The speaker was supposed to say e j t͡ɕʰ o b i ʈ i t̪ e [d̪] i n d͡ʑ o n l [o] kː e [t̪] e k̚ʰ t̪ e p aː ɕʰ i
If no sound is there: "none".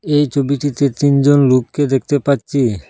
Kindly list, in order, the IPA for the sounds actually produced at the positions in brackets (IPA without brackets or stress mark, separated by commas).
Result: t̪, u, d̪